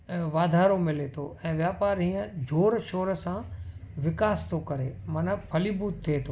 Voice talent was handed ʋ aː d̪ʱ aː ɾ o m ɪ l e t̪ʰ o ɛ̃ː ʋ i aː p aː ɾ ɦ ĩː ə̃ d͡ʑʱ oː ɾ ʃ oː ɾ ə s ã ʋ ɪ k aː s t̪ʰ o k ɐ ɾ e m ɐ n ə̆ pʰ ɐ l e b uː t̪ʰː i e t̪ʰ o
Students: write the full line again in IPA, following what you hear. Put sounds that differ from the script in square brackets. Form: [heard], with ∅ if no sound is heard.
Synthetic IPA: ʋ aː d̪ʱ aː ɾ o m ɪ l e t̪ʰ o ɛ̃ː ʋ [j] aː p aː ɾ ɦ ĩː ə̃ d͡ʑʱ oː ɾ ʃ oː ɾ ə s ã ʋ ɪ k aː s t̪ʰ o k ɐ ɾ e m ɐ n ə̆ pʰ ɐ l [i] b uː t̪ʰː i e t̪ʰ o

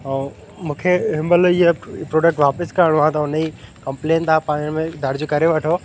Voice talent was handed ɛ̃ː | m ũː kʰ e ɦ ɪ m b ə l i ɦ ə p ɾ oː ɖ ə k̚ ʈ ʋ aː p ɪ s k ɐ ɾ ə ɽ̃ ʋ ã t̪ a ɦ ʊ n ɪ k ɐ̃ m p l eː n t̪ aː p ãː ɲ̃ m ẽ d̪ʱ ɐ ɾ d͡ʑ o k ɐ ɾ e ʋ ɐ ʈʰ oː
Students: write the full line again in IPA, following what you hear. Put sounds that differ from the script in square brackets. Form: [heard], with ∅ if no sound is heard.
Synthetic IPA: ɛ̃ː | m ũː kʰ e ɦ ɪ m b ə l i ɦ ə p ɾ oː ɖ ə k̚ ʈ ʋ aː p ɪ s k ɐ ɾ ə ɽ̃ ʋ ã t̪ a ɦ ʊ n [i] k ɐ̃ m p l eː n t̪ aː p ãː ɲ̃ m ẽ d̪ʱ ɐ ɾ d͡ʑ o k ɐ ɾ e ʋ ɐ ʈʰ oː

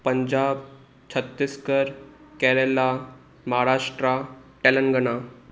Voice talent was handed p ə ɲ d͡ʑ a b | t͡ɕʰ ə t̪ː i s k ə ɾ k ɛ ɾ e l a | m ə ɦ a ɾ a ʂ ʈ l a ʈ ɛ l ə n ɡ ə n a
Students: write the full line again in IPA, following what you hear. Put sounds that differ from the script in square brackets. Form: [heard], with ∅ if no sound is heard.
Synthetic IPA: p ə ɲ d͡ʑ a b | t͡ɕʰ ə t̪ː i s k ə ɾ k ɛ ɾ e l a | m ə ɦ a ɾ a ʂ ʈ [ɾ] a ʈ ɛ l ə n ɡ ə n a

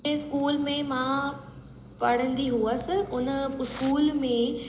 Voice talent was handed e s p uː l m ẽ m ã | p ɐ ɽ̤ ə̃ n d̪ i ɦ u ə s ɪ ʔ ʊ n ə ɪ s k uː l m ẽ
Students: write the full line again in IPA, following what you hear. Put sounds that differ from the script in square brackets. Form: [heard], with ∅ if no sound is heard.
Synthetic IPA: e s [k] uː l m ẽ m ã | p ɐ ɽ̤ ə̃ n d̪ i ɦ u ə s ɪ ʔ ʊ n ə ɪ s k uː l m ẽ

